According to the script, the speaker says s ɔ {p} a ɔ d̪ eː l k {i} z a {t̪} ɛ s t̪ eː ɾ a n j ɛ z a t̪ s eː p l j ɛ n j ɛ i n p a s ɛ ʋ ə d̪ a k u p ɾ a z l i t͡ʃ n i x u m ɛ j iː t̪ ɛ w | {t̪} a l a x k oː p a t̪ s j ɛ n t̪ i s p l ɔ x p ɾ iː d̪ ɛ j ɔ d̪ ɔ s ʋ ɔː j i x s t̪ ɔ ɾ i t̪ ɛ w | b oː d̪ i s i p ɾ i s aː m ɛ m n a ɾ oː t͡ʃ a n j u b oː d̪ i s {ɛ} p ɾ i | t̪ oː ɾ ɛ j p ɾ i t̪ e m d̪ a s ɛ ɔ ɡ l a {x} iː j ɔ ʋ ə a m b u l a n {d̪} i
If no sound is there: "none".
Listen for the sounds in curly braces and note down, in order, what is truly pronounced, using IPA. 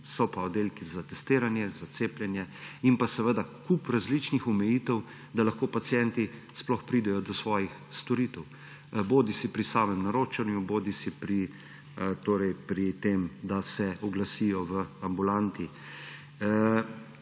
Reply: p, i, t̪, d̪, i, s, t̪

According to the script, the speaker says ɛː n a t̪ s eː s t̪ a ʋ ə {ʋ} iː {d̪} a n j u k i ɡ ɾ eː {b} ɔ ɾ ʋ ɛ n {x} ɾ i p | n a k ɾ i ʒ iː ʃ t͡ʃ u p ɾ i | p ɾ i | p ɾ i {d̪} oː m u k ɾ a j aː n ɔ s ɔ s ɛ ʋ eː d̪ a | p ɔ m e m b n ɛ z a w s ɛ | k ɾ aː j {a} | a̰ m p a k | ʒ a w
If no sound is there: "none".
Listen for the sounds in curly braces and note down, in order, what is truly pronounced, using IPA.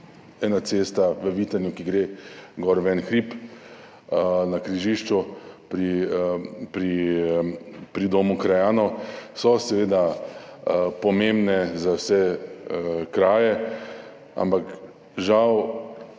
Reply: ʋ, t̪, ɡ, x, d̪, ɛ

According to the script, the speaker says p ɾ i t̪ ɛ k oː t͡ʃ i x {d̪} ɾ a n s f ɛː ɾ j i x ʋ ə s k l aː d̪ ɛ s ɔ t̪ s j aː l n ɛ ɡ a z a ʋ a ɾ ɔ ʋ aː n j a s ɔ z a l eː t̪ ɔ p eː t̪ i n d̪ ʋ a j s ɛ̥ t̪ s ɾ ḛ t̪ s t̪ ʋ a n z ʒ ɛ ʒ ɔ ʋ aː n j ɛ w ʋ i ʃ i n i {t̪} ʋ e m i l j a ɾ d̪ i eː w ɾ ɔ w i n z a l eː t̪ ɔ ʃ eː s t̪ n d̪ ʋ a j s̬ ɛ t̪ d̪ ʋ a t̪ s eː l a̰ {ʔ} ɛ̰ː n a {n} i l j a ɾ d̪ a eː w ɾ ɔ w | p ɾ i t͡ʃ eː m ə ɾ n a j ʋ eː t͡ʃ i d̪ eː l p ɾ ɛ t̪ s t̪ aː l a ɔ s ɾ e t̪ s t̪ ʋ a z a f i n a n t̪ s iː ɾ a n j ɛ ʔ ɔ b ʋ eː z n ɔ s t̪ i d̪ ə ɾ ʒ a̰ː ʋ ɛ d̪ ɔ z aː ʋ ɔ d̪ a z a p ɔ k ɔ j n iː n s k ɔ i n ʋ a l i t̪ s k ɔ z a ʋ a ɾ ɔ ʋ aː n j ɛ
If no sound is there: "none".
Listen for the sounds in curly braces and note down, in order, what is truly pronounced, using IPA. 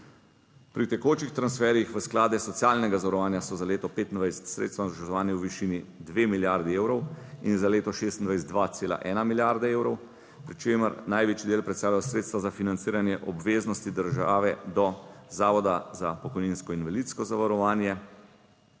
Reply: t̪, d̪, ʔ, m

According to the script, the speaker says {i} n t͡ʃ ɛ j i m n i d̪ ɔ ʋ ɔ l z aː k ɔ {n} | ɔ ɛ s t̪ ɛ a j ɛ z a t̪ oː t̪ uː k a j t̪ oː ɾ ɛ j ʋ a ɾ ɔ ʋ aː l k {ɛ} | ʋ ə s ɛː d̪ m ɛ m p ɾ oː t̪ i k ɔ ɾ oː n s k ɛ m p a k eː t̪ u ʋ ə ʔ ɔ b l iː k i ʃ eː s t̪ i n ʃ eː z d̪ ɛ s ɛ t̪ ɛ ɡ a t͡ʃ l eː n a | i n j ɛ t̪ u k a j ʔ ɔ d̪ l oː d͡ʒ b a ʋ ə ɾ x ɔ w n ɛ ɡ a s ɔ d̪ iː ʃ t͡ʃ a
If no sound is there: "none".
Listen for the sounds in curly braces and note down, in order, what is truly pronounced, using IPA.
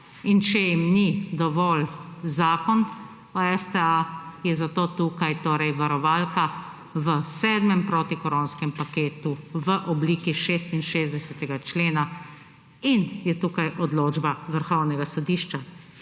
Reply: i, n, a

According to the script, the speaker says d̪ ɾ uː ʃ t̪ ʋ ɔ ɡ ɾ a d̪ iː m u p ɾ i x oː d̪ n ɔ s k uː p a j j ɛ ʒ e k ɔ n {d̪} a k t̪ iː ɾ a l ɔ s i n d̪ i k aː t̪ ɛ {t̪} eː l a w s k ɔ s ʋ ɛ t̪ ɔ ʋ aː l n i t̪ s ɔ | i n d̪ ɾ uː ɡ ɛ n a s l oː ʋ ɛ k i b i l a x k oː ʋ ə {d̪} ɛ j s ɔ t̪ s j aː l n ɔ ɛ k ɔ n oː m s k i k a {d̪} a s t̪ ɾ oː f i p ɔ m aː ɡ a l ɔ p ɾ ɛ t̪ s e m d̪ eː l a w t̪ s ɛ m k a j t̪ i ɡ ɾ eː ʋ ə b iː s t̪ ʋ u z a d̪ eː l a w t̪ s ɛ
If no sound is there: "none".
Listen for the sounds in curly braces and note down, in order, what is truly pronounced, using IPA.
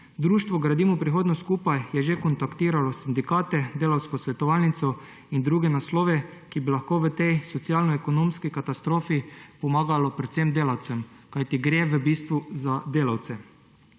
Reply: t̪, d̪, t̪, t̪

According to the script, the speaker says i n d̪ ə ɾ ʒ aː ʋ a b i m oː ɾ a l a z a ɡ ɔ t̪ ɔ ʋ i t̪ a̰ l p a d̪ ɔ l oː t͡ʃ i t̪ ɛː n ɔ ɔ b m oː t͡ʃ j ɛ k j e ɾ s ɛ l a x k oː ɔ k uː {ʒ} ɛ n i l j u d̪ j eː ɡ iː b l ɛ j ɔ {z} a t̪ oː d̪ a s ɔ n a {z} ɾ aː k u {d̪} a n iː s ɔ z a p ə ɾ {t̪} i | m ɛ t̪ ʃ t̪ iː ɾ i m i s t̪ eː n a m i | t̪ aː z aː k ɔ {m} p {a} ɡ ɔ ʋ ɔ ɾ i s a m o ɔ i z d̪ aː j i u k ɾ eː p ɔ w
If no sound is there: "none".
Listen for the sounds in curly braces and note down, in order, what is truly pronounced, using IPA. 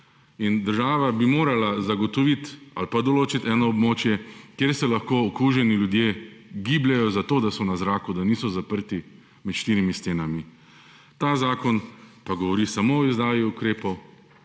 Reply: ʒ, z, z, d̪, t̪, n, a

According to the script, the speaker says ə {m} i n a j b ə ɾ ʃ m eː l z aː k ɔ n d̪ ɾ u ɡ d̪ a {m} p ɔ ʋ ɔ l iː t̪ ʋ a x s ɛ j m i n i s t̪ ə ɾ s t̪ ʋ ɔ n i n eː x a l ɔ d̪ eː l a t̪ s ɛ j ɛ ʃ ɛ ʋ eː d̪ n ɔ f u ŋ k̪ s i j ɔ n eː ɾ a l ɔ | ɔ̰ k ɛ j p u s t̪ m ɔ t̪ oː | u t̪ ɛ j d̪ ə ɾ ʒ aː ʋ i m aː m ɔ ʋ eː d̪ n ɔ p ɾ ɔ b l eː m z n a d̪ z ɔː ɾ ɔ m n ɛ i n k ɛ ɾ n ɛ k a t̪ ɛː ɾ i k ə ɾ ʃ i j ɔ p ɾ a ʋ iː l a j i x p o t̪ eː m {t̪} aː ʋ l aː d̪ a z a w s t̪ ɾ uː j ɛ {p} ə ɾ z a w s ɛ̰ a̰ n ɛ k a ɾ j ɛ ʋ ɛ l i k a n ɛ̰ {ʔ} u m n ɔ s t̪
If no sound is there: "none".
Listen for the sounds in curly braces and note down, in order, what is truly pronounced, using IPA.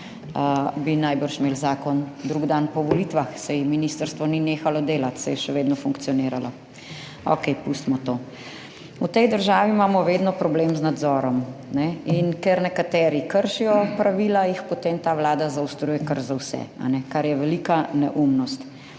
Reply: b, n, t̪, k, ʔ

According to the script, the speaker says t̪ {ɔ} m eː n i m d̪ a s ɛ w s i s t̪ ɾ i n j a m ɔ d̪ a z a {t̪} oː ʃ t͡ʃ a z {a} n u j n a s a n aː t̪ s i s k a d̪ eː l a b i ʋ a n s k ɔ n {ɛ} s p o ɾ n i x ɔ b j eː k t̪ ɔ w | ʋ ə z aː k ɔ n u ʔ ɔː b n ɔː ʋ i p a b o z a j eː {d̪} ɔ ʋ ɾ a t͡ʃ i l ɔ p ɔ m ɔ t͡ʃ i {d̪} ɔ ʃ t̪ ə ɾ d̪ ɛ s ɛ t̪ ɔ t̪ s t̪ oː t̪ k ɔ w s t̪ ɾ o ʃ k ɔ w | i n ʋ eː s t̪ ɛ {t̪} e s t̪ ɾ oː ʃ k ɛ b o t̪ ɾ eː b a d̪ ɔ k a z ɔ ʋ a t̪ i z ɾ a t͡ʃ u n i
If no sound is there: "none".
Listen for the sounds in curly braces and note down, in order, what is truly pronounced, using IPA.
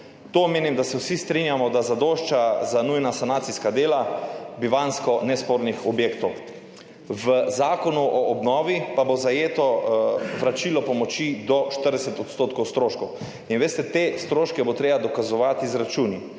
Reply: o, d̪, a, ɛ, t̪, d̪, t̪

